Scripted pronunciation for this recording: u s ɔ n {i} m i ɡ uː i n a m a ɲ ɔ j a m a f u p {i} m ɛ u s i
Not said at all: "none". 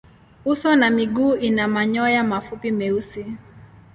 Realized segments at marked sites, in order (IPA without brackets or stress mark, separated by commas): a, i